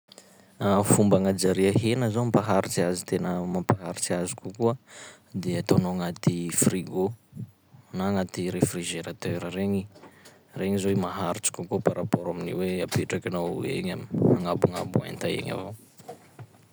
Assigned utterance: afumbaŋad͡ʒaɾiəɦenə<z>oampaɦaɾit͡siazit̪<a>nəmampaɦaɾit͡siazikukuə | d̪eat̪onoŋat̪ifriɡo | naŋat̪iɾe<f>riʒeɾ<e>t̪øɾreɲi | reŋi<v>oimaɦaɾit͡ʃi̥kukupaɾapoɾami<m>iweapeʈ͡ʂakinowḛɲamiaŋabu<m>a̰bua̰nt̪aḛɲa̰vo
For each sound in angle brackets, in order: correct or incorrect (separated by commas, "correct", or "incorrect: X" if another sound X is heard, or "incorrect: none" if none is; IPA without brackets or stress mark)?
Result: correct, incorrect: e, correct, incorrect: a, incorrect: z, incorrect: n, incorrect: ŋ